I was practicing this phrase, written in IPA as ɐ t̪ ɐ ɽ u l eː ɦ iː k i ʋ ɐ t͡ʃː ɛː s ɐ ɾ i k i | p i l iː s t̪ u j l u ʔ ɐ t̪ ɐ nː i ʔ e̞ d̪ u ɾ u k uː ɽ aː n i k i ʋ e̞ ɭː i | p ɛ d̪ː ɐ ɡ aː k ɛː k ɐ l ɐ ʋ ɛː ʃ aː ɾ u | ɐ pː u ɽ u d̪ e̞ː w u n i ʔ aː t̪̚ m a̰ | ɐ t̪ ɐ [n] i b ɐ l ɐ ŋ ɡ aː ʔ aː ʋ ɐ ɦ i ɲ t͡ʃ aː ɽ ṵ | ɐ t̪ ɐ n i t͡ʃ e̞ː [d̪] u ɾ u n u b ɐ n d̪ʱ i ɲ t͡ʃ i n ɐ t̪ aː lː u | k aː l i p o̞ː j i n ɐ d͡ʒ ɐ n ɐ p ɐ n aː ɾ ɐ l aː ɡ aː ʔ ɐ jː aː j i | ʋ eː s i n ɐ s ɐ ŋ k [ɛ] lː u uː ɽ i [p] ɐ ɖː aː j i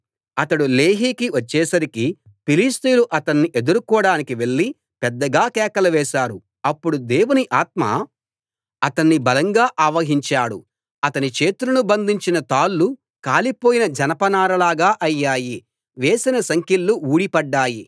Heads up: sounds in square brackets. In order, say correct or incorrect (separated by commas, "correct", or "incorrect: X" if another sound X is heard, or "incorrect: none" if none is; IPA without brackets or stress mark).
incorrect: nː, incorrect: t̪, incorrect: i, correct